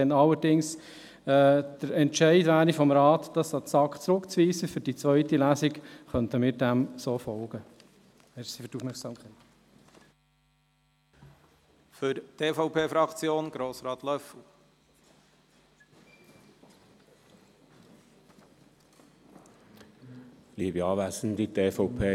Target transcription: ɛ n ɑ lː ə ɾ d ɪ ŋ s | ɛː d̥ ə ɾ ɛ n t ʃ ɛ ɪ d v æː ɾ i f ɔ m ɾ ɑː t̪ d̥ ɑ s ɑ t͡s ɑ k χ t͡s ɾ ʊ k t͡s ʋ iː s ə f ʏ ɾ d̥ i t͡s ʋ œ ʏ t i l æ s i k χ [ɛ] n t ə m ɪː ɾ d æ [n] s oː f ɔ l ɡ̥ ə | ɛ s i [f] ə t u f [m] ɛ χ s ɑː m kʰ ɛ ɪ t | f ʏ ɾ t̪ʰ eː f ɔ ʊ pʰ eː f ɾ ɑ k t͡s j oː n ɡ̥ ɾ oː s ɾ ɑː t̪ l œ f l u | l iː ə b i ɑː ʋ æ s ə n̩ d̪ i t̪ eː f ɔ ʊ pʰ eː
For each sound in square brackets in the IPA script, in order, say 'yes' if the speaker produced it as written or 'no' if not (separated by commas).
no, no, yes, yes